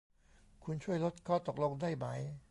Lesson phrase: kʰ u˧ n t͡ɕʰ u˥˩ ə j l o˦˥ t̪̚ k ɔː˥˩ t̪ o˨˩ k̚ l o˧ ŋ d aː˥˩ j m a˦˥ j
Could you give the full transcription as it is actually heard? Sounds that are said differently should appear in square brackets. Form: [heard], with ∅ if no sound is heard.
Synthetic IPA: kʰ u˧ n t͡ɕʰ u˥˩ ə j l o˦˥ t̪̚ [kʰ] ɔː˥˩ t̪ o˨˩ k̚ l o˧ ŋ d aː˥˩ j m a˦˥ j